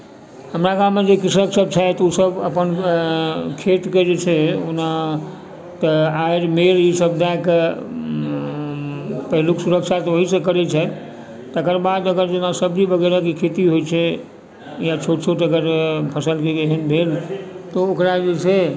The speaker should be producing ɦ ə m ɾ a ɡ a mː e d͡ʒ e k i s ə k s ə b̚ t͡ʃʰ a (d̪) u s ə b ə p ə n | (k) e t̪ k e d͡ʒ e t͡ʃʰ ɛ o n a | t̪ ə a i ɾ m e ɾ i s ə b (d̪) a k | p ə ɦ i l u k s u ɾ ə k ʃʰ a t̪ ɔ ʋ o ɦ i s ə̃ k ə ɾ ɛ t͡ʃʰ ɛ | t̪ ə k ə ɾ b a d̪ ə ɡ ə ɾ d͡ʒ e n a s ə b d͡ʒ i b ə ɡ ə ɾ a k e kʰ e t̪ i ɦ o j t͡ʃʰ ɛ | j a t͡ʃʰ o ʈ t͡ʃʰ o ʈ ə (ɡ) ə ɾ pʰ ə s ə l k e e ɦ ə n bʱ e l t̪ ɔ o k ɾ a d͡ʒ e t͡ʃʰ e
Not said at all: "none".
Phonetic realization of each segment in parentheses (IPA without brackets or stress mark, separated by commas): t̪, kʰ, d̪, ɡ